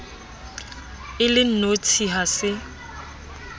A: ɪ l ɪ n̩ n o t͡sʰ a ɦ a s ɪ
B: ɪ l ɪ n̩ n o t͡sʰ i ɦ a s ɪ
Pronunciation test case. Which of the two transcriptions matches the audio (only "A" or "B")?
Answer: B